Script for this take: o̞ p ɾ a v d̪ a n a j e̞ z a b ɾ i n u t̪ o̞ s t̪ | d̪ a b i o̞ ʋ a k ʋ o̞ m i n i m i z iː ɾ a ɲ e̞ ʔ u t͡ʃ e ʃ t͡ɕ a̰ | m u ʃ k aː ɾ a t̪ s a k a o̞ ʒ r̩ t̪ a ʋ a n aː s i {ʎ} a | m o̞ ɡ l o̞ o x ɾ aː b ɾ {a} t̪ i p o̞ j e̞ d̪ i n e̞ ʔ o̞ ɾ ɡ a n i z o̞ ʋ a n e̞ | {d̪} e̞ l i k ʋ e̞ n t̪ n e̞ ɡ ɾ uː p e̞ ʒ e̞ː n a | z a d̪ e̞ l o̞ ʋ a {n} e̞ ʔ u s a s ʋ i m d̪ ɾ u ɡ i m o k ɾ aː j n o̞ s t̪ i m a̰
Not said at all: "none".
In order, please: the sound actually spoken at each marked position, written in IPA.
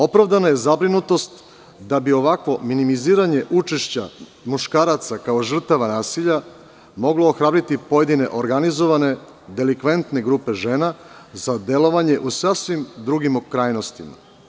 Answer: ʎ, i, d̪, ɲ

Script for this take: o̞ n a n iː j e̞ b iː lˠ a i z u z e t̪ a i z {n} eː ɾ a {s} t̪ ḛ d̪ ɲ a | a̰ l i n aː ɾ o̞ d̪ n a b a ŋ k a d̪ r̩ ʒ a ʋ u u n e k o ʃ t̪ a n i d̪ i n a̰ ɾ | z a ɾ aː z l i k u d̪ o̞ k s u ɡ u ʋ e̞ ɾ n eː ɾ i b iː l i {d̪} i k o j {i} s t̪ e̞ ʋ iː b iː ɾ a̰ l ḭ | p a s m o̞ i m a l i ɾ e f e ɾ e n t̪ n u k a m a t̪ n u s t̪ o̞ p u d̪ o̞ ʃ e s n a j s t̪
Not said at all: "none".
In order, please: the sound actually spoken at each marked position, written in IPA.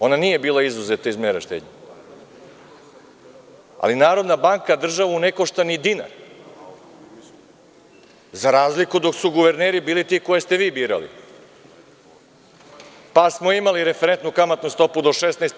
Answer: m, ʃ, t̪, e

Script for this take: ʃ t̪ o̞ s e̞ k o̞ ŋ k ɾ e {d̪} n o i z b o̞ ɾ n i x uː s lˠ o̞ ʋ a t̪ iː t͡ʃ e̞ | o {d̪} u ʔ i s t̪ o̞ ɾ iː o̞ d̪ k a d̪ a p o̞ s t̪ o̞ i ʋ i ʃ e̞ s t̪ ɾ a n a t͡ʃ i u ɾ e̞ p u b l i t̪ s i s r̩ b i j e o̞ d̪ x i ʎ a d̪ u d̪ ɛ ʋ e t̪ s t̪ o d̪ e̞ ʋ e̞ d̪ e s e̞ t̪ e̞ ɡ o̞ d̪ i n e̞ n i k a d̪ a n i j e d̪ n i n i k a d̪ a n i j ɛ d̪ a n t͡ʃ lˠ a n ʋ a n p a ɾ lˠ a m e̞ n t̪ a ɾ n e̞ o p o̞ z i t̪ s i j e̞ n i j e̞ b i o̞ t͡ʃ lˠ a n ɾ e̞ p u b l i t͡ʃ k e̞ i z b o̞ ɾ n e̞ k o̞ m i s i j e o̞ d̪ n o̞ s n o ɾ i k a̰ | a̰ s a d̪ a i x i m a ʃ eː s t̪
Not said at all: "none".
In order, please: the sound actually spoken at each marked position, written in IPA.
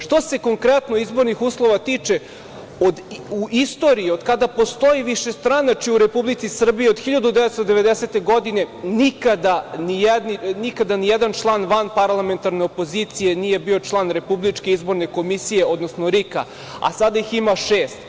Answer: t̪, d̪

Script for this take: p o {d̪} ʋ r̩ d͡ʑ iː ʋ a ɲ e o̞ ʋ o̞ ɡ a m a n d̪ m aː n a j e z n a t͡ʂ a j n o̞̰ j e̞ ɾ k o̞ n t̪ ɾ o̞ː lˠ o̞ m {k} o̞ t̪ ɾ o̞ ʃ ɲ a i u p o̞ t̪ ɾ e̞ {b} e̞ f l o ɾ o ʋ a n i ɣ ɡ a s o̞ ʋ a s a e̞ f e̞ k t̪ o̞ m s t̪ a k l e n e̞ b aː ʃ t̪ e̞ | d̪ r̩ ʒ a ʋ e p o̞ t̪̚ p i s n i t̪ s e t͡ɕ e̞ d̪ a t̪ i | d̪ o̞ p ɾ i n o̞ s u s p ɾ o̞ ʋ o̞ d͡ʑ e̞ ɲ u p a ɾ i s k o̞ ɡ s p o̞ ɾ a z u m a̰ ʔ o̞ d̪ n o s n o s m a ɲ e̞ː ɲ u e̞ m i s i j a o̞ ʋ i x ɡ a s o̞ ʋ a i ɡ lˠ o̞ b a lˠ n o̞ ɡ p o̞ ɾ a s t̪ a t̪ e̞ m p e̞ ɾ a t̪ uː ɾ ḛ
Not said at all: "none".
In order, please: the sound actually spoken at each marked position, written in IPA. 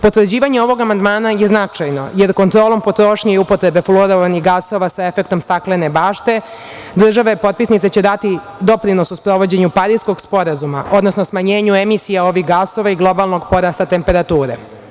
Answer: t̪, p, b

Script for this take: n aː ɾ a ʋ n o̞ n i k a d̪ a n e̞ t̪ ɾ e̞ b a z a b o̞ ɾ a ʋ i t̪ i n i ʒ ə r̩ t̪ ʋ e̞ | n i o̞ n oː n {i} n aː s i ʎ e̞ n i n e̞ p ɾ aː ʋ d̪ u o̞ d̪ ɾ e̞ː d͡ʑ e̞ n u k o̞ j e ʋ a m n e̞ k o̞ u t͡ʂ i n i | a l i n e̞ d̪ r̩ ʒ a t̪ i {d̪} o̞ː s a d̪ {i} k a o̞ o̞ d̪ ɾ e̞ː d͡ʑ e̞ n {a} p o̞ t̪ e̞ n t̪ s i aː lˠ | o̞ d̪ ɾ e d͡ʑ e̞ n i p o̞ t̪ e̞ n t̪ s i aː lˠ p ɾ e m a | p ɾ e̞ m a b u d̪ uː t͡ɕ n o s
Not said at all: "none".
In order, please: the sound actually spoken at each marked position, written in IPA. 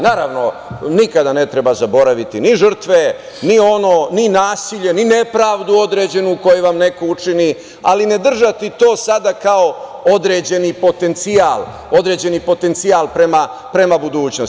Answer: i, t̪, a, i

